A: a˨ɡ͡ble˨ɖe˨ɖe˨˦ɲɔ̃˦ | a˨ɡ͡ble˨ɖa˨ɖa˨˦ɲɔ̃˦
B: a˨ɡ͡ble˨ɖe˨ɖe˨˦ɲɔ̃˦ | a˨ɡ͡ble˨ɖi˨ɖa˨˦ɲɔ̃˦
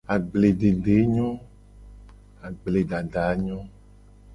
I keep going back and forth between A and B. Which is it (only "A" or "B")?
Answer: A